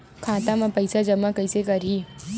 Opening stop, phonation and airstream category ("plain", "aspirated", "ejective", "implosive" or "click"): aspirated